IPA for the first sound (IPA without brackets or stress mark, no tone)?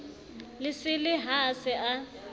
l